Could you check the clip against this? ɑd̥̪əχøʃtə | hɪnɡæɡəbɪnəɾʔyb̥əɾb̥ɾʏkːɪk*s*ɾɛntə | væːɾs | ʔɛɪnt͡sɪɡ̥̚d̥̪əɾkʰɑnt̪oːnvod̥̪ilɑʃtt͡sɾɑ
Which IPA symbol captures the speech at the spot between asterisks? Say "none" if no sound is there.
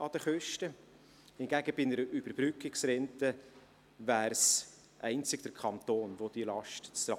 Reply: s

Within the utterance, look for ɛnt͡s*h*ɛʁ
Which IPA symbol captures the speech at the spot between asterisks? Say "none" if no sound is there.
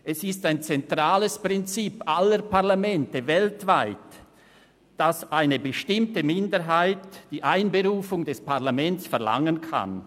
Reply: f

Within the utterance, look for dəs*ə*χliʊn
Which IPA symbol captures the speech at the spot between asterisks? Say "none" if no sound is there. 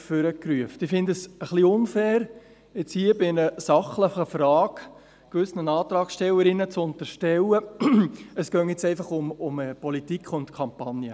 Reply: ə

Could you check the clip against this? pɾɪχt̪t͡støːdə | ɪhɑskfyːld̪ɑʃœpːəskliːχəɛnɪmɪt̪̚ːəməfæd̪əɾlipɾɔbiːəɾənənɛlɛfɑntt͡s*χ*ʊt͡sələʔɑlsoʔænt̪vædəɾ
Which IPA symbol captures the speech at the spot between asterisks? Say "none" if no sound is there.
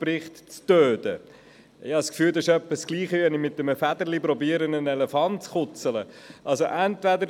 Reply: χ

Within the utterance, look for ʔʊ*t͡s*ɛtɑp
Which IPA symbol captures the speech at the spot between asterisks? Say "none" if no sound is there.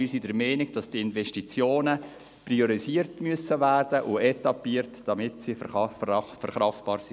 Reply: none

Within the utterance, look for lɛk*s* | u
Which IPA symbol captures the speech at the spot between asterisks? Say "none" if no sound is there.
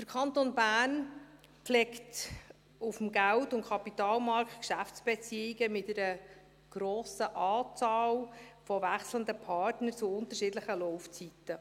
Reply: t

